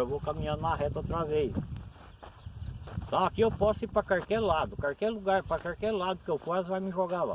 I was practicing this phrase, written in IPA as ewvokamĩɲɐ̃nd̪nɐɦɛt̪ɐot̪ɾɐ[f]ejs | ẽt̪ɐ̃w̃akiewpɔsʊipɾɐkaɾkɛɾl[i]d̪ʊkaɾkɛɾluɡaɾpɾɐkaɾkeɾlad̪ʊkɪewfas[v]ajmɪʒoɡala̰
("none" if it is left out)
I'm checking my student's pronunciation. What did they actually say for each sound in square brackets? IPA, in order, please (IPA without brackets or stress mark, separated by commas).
v, a, v